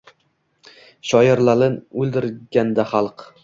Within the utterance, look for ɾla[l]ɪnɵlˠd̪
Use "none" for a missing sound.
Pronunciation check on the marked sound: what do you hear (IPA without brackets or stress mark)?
l